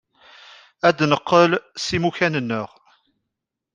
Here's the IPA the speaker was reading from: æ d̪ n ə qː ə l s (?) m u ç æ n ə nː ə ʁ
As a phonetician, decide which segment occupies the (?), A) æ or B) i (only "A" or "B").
B